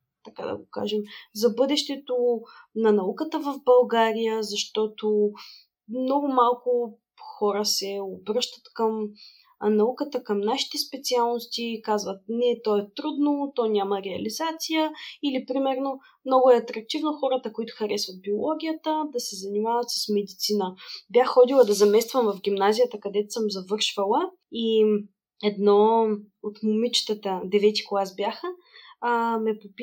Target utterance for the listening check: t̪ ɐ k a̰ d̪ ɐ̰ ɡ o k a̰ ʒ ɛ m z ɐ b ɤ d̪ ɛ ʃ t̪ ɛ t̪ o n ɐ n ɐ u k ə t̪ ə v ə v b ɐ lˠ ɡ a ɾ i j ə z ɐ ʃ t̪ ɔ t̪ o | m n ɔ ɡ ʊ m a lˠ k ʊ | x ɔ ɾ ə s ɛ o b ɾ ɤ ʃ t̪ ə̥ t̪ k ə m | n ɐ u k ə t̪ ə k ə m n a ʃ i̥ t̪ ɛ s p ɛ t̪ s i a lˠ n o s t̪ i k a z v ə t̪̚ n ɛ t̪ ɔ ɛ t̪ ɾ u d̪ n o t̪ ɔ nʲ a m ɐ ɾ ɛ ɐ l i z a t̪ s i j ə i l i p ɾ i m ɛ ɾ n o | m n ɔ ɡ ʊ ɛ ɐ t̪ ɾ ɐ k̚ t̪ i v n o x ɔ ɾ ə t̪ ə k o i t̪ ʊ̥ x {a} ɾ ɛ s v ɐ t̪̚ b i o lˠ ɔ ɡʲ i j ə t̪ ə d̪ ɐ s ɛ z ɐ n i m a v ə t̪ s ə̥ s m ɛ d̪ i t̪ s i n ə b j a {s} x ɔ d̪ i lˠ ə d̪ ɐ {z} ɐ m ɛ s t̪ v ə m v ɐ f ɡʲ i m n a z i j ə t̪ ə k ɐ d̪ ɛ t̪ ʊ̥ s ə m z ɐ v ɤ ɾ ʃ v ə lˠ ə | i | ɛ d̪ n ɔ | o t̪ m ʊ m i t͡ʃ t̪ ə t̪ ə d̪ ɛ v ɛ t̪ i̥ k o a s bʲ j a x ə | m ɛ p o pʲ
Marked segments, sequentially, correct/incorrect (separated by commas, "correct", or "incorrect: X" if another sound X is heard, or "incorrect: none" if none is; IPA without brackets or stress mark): incorrect: ɐ, incorrect: x, correct